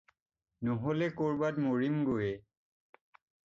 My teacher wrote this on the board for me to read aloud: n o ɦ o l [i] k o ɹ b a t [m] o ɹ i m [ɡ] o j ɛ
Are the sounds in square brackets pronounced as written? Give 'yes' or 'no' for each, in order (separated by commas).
no, yes, yes